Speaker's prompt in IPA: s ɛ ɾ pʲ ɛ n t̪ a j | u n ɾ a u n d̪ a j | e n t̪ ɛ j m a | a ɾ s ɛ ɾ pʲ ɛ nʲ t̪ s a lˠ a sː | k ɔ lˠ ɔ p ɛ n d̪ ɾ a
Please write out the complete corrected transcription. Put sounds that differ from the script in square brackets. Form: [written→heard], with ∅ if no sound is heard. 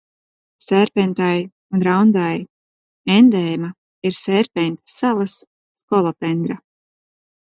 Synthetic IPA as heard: s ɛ ɾ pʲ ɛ n t̪ a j | u n ɾ a [u→w] n d̪ a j | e n [t̪→d̪] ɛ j m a | [a→i] ɾ s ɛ ɾ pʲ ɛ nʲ t̪ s a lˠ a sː | k ɔ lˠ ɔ p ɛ n d̪ ɾ a